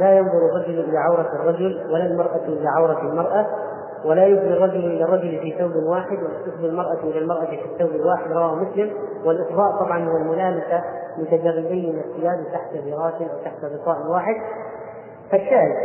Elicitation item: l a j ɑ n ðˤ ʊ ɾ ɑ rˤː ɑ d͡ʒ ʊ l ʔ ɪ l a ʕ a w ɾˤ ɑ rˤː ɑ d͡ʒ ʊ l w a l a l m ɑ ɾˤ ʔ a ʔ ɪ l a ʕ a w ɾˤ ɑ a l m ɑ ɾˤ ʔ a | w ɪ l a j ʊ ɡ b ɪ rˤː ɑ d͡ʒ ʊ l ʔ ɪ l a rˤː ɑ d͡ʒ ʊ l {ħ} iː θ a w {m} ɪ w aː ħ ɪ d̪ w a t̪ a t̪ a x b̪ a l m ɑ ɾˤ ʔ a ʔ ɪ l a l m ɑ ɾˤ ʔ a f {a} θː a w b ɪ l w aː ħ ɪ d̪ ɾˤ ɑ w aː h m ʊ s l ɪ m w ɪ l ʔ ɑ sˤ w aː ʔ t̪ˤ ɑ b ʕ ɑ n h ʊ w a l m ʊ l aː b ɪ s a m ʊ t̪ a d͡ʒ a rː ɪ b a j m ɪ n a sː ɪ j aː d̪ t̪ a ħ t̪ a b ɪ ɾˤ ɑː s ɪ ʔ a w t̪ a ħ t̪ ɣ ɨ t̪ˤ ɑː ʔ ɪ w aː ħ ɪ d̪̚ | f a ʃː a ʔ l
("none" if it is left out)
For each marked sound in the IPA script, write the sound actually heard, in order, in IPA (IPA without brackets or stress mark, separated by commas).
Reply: f, b, i